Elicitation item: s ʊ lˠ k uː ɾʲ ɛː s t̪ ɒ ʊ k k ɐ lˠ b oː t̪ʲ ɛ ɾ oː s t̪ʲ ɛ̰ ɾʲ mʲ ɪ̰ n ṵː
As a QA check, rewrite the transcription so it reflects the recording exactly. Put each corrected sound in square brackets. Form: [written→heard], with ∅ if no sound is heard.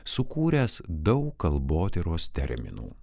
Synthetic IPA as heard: s ʊ [lˠ→∅] k uː ɾʲ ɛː s [t̪→d̪] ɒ ʊ k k ɐ lˠ b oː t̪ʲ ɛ ɾ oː s t̪ʲ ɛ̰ ɾʲ mʲ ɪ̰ n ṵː